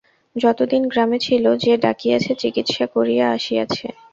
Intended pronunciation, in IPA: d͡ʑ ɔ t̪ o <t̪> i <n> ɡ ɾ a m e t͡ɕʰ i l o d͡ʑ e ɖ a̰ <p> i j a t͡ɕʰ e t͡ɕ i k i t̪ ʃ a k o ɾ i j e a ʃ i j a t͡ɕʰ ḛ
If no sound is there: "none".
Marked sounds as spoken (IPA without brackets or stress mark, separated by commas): d̪, n, k